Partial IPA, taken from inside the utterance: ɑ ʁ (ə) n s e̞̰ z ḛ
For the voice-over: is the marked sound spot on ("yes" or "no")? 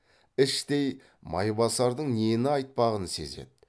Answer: yes